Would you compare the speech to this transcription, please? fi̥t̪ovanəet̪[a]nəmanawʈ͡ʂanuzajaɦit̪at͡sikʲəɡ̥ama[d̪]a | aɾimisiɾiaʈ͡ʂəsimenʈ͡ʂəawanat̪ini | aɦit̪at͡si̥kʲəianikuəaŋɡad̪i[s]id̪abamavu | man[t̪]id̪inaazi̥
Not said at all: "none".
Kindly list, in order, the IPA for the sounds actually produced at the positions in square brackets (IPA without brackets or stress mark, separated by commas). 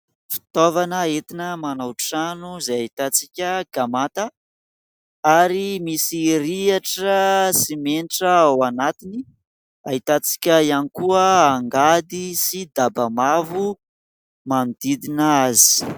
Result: i, t̪, s, d̪